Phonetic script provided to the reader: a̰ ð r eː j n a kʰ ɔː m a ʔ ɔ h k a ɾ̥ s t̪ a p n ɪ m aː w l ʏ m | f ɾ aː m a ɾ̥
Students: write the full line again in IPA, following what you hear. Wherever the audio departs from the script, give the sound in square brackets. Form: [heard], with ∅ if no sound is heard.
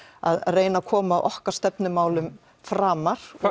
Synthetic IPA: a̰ ð r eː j n a kʰ ɔː m a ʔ ɔ h k a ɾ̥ s t̪ [ɛ] p n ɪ m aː w l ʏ m | f ɾ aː m a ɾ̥